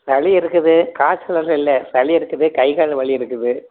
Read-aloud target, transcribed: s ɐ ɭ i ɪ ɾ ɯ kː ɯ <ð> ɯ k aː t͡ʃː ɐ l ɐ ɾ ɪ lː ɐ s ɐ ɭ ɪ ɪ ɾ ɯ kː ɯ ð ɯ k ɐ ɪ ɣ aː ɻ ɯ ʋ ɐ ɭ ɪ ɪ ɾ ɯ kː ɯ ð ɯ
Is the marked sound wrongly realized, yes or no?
no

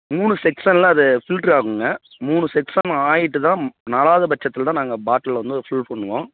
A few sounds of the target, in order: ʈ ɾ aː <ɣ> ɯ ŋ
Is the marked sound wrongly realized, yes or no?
no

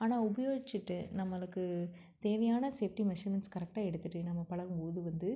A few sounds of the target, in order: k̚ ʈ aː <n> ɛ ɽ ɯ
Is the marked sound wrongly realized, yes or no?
yes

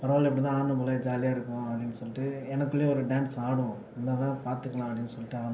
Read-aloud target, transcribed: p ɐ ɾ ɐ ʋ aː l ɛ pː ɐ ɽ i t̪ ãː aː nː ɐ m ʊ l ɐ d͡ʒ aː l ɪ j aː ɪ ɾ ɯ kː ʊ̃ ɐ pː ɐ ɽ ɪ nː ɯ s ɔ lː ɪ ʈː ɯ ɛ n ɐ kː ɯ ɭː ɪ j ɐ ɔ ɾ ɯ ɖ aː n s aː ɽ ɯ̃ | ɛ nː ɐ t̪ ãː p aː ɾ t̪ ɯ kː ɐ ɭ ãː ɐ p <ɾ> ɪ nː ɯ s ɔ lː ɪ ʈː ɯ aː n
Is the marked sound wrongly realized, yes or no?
yes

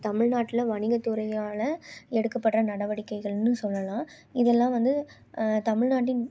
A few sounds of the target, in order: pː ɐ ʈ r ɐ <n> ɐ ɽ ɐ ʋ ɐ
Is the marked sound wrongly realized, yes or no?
no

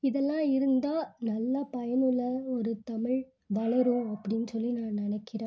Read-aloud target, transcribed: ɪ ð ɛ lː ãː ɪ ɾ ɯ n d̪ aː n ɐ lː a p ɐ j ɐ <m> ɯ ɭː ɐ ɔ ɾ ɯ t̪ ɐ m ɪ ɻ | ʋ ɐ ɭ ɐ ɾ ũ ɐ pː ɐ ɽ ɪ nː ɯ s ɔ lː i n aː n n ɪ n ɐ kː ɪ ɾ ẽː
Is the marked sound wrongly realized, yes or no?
yes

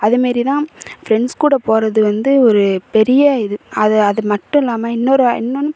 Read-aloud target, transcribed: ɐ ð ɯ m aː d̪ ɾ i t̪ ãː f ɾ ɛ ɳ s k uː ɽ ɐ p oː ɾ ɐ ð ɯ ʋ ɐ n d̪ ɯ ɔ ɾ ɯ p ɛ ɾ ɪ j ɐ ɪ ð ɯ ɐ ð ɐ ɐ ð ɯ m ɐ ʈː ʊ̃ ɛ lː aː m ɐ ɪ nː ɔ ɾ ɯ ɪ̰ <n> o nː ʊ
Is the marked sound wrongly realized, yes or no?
yes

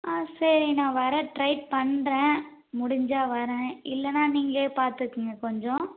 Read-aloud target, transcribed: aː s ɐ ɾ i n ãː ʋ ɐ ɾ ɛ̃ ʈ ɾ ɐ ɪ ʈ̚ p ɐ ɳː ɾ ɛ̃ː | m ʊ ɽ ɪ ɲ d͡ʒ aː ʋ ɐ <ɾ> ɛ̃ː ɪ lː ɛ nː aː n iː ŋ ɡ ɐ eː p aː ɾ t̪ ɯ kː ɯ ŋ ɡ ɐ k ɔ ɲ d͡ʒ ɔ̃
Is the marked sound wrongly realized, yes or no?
no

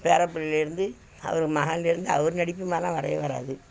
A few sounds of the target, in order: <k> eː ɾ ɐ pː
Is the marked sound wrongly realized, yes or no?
yes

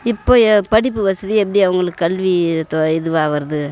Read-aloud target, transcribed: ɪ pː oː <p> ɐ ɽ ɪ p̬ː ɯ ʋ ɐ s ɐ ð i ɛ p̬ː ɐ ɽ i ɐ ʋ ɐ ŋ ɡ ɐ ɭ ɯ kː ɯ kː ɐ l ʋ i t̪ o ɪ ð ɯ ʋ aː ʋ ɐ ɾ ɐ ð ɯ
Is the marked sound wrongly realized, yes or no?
no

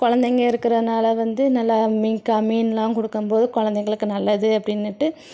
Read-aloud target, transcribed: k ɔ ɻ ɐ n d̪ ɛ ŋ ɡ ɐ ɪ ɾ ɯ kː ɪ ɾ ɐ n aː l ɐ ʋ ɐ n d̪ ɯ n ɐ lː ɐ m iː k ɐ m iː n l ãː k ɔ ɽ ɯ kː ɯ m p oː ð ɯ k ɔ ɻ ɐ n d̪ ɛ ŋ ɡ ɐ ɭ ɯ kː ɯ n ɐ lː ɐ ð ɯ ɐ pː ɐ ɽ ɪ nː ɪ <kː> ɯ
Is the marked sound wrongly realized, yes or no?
yes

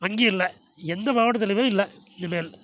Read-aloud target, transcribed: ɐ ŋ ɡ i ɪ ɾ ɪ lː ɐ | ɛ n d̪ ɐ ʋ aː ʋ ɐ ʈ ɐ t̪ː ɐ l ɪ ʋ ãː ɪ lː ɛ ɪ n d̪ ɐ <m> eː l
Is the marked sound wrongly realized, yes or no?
no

